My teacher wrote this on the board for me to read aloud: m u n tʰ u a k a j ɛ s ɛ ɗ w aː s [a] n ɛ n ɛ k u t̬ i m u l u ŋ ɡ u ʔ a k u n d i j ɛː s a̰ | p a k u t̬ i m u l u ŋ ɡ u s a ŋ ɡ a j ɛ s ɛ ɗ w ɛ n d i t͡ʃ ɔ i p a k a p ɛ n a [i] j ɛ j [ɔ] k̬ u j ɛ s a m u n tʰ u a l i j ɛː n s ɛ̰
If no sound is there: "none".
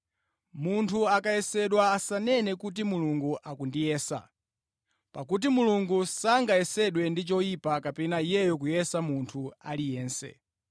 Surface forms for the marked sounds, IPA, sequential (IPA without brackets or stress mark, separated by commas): a, i, ɔ